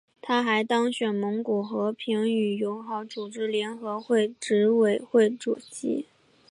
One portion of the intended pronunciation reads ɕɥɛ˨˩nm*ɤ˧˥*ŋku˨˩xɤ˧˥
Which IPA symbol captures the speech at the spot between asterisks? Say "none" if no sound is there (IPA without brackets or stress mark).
ɤ˧˥